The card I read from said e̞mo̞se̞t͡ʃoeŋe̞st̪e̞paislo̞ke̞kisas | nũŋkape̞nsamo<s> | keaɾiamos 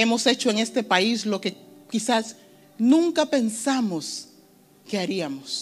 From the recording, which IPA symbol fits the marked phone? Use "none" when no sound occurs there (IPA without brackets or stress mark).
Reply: s